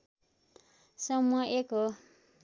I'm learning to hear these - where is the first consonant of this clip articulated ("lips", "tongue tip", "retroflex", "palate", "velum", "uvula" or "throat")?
tongue tip